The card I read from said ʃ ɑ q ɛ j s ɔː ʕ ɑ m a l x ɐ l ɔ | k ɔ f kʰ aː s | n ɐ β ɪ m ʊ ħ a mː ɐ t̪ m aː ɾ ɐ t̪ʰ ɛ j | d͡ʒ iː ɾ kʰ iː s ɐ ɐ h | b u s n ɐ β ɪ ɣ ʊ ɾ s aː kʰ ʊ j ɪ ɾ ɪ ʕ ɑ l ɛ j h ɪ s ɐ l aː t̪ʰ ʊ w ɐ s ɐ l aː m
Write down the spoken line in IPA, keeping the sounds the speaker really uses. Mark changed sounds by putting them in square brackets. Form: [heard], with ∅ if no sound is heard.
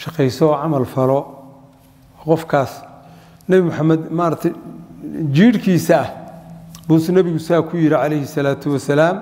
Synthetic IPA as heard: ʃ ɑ q ɛ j s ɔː ʕ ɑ m [ɐ] l [f] ɐ l ɔ | [q] ɔ f kʰ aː s | n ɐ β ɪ m ʊ ħ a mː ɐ [d̪] m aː ɾ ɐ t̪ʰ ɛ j | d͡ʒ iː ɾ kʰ iː s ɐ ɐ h | b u s n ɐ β ɪ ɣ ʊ [∅] s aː kʰ ʊ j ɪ ɾ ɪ ʕ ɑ l ɛ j h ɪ s ɐ l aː t̪ʰ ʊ w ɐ s ɐ l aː m

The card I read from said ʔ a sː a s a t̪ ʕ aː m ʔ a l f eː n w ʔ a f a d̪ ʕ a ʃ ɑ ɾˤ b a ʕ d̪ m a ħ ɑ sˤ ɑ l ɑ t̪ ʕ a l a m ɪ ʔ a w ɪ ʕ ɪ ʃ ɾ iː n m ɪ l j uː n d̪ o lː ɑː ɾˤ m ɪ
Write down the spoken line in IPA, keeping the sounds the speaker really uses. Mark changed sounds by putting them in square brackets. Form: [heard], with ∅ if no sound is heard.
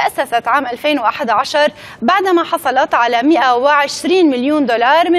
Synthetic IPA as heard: ʔ a sː a s a t̪ ʕ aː m ʔ a l f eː n w ʔ a [ħ] a d̪ ʕ a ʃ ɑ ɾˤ b a ʕ d̪ m a ħ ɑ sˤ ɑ l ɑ t̪ ʕ a l a m ɪ ʔ a w ɪ ʕ ɪ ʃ ɾ iː n m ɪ l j uː n d̪ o [l] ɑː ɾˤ m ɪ

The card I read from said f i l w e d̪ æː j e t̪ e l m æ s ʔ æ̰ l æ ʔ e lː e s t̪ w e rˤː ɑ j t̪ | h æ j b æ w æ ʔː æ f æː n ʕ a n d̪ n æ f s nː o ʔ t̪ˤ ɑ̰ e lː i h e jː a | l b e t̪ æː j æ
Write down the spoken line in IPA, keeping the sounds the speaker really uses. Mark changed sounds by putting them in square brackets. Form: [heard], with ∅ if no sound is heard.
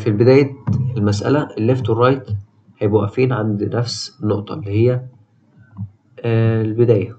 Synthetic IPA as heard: f i l [b] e d̪ æː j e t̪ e l m æ s ʔ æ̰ l æ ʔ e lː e [f] t̪ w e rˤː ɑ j t̪ | h æ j b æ w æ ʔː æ f [iː] n ʕ a n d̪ n æ f s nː o ʔ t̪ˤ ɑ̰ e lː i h e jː [æ] | l b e [d̪] æː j æ

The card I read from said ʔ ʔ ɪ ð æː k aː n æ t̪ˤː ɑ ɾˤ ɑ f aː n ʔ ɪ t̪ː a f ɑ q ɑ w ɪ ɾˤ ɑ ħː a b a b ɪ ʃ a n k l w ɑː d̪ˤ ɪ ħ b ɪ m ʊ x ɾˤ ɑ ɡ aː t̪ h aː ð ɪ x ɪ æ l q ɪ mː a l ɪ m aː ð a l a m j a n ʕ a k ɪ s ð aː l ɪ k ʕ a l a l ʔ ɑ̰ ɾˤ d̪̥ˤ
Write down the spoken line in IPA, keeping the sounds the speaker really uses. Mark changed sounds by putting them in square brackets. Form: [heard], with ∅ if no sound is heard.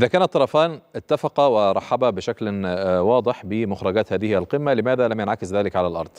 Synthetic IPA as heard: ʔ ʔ ɪ ð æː k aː n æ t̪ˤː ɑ ɾˤ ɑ f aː n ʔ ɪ t̪ː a f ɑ q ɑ w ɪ ɾˤ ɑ ħː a b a b ɪ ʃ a [∅] k l w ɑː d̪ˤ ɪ ħ b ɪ m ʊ x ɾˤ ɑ ɡ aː t̪ h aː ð ɪ [h] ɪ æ l q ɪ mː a l ɪ m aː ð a l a m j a n ʕ a k ɪ s ð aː l ɪ k ʕ a l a l ʔ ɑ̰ ɾˤ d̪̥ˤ

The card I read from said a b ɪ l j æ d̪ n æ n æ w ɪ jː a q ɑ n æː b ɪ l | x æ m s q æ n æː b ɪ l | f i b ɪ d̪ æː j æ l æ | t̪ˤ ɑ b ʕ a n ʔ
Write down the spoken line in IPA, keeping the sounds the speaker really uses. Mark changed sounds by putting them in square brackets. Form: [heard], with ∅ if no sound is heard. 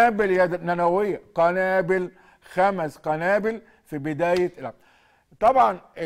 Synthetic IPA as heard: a b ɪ l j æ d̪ n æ n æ w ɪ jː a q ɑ n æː b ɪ l | x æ m s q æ n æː b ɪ l | f i b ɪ d̪ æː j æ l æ | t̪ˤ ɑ b ʕ [ɑ] n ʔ

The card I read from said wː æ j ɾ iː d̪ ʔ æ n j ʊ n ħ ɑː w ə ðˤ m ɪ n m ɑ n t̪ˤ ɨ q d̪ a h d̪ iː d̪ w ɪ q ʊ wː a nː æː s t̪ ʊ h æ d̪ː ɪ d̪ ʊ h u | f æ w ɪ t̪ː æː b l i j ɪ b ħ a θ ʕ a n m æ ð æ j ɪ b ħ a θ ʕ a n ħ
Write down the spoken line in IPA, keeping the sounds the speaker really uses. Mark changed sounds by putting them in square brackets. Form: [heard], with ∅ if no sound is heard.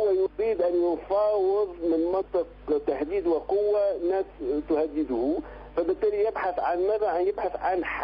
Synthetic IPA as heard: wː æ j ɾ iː d̪ ʔ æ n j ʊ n [f] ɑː w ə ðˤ m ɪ n m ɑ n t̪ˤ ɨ q [t̪] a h d̪ iː d̪ w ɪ q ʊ wː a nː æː s t̪ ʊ h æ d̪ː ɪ d̪ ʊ h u | f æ [b] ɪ t̪ː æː [∅] l i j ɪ b ħ a θ ʕ a n m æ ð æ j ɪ b ħ a θ ʕ a n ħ

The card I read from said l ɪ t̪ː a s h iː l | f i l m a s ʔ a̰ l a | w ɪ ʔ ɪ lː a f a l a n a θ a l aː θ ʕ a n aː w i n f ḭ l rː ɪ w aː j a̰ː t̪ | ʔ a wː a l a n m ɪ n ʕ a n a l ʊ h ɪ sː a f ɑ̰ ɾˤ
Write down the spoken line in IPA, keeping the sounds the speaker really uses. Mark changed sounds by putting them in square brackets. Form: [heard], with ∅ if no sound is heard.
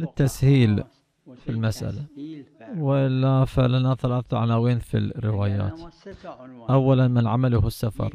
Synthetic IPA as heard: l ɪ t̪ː a s h iː l | f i l m a s ʔ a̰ l a | w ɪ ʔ ɪ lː a f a l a n a θ a l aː θ ʕ a n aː w [iː] n f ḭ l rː ɪ w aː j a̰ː t̪ | ʔ a wː a l a n m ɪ n ʕ a [m] a l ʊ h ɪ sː a f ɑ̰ ɾˤ

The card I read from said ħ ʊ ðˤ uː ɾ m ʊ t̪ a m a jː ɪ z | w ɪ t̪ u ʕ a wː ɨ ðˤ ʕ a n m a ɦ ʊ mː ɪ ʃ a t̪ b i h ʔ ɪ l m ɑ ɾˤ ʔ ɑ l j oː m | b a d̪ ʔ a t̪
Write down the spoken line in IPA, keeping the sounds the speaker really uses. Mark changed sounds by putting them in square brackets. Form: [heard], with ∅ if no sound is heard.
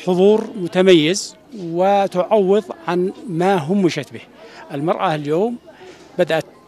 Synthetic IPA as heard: ħ ʊ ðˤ uː ɾ m ʊ t̪ a m a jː ɪ z | w ɪ t̪ [ʊ] ʕ a wː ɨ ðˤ ʕ a n m a ɦ ʊ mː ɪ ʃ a t̪ b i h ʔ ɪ l m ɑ ɾˤ ʔ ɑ l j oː m | b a d̪ ʔ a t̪

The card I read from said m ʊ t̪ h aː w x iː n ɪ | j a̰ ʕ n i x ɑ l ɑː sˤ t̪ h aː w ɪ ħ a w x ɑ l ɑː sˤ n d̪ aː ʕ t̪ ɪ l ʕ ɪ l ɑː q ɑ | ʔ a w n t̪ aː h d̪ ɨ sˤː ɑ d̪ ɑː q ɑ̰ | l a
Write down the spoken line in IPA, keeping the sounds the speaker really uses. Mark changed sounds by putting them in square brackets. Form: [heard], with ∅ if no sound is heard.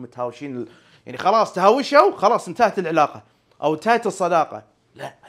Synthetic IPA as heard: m ʊ t̪ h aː w [ʃ] iː n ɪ | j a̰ ʕ n i x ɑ l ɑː sˤ t̪ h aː w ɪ [ʃ] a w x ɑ l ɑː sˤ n [t̪] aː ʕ t̪ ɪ l ʕ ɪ l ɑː q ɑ | ʔ a w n t̪ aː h [t̪] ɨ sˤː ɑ d̪ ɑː q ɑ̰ | l a

